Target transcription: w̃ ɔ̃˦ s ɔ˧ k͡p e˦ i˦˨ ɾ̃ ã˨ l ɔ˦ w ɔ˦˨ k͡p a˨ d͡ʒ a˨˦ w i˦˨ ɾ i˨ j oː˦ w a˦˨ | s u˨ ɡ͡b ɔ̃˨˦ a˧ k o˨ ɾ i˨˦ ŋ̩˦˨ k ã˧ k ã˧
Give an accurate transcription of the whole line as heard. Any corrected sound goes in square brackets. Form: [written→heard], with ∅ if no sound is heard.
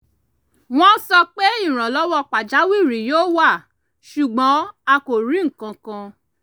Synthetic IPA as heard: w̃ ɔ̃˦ s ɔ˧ k͡p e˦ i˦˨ ɾ̃ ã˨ l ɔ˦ w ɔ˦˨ k͡p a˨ d͡ʒ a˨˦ w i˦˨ ɾ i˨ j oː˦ w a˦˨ | [s→ʃ] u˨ ɡ͡b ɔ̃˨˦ a˧ k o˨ ɾ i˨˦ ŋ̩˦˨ k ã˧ k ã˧